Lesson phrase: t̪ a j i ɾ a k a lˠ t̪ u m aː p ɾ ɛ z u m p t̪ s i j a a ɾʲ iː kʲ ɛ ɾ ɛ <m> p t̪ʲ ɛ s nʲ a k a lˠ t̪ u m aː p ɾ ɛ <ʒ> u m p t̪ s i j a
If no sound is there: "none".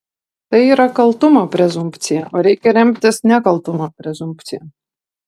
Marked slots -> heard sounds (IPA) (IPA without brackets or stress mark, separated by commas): m, z